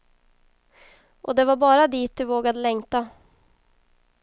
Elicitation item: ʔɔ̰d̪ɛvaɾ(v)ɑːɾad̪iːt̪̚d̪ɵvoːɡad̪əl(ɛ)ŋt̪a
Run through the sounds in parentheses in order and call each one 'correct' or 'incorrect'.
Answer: incorrect, correct

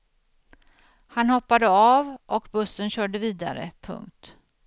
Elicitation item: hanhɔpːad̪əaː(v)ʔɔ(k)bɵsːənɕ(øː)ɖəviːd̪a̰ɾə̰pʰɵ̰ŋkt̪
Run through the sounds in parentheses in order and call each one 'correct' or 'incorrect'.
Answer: correct, correct, incorrect

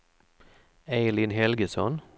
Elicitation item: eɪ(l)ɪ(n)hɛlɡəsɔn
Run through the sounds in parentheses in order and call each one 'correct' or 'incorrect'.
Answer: correct, correct

